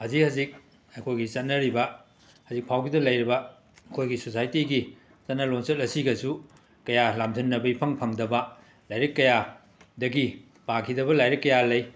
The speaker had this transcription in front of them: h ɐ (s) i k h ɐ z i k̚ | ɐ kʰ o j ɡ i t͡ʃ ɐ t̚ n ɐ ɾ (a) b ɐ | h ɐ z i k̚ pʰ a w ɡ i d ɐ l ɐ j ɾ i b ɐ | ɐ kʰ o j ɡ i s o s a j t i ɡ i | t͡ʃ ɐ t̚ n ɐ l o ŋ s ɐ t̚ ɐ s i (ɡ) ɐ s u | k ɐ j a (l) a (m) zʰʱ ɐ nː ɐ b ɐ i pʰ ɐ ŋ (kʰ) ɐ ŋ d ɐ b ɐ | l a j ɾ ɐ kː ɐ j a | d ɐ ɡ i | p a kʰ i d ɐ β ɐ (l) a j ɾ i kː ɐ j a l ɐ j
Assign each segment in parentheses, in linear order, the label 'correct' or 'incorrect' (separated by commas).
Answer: incorrect, incorrect, correct, correct, correct, incorrect, correct